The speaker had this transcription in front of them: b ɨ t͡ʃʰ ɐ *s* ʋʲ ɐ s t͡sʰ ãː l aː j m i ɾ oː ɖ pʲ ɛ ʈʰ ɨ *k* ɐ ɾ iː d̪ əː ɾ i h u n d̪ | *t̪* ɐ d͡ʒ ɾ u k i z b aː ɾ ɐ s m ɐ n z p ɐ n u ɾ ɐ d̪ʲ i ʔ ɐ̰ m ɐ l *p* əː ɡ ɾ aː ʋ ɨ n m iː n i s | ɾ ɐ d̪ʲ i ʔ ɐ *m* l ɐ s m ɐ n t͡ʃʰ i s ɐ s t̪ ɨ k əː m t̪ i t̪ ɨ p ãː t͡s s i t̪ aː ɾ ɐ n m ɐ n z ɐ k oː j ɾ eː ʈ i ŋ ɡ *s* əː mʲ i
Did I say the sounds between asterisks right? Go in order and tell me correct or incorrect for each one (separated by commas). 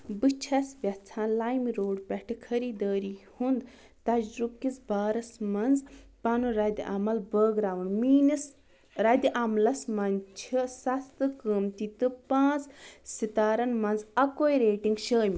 correct, incorrect, correct, incorrect, correct, incorrect